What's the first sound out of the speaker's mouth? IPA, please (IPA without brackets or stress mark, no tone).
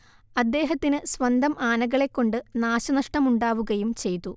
ɐ